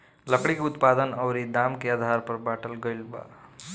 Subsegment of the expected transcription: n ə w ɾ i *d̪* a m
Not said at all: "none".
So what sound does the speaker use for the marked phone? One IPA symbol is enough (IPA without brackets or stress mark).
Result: d̪